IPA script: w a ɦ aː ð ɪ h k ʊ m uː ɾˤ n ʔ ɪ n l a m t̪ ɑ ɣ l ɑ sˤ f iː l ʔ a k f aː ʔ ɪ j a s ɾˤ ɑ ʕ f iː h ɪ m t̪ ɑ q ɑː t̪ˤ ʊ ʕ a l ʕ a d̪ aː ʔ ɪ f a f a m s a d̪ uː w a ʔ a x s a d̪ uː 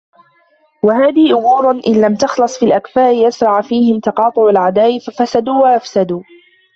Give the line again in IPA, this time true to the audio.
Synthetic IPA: w a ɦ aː ð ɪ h ʔ ʊ m uː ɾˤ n ʔ ɪ n l a m t̪ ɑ x l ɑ sˤ f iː l ʔ a k f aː ʔ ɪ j a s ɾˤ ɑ ʕ f iː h ɪ m t̪ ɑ q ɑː t̪ˤ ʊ ʕ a l ʕ a d̪ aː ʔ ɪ f a f a s a d̪ uː w a ʔ a f s a d̪ uː